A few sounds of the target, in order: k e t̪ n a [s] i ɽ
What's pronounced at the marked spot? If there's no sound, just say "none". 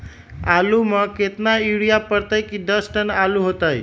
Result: none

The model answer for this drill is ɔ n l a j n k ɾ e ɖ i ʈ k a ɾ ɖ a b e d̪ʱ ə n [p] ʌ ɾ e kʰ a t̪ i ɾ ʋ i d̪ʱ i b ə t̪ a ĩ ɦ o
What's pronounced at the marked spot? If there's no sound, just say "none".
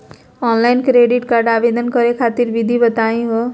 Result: k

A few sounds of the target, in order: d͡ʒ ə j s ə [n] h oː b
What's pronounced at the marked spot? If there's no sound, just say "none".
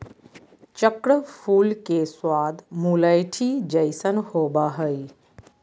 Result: n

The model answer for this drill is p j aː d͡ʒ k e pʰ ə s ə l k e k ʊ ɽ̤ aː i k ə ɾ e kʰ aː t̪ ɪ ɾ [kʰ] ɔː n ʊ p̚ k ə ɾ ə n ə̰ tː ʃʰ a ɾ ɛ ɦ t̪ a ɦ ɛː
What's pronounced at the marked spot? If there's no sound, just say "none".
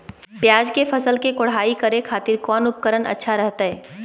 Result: k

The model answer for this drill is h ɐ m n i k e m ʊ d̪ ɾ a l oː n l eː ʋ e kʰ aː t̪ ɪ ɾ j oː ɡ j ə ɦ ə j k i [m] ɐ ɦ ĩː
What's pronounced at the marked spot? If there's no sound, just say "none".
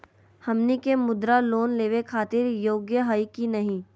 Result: n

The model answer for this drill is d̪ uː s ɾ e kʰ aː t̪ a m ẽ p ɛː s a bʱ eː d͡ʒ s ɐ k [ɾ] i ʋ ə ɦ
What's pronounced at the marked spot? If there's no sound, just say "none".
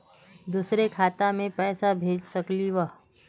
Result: l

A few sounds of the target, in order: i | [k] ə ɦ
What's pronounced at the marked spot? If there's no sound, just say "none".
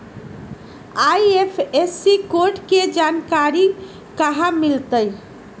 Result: k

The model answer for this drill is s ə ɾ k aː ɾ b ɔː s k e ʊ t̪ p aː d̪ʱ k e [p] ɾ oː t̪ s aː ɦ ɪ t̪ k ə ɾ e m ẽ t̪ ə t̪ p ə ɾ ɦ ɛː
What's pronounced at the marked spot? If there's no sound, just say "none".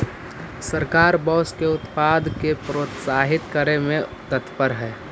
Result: p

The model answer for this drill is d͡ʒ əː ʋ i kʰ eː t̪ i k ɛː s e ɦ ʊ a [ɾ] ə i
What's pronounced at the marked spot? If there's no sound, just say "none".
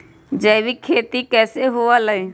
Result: l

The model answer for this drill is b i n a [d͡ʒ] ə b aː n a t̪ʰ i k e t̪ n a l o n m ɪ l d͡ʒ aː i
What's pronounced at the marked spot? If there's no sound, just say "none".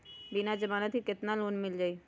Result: d͡ʒ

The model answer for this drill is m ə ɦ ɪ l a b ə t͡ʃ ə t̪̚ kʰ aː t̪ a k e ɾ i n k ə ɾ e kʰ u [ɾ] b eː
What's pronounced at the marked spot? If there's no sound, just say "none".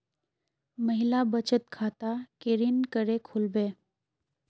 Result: l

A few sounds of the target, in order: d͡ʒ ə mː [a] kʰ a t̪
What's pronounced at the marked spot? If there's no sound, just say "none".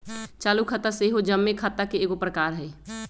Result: e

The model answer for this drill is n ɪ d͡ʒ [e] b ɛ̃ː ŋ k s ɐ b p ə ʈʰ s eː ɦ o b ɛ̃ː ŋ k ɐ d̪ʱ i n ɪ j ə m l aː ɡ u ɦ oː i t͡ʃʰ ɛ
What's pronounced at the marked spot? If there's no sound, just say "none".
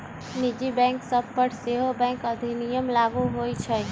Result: i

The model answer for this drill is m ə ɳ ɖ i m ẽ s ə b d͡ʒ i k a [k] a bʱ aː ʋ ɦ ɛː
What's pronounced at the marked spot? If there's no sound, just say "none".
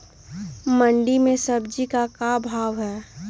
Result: k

